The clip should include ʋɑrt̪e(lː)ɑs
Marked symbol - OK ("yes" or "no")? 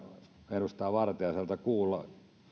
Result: no